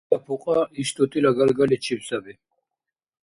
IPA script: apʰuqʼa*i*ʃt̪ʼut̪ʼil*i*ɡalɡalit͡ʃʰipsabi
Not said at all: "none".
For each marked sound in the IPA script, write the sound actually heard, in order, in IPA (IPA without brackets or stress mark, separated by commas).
i, a